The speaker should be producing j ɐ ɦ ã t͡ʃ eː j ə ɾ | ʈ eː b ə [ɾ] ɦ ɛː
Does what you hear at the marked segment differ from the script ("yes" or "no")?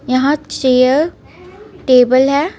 yes